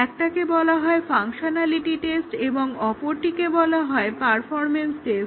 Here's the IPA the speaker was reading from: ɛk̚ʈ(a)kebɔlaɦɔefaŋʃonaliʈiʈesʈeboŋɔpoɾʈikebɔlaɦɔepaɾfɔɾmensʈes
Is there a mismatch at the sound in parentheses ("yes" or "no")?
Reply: no